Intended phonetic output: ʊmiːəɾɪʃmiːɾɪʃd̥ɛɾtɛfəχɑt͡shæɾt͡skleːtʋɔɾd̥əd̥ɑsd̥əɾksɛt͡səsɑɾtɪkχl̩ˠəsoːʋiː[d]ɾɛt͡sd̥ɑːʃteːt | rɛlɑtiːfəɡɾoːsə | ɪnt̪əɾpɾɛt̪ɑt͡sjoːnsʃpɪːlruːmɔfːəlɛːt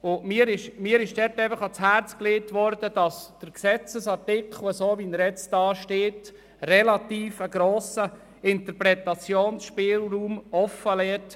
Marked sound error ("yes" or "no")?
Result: yes